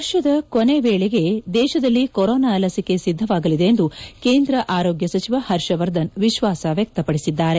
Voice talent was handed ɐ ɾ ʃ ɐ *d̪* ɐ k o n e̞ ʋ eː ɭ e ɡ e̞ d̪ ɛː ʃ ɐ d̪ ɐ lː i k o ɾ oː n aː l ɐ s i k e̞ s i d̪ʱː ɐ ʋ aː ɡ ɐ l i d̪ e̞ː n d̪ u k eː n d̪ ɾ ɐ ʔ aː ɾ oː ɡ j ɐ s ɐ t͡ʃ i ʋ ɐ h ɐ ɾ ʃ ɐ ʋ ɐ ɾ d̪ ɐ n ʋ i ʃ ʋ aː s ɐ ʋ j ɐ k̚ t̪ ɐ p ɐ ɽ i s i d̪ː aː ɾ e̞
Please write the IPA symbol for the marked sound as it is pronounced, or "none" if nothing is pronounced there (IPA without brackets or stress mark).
d̪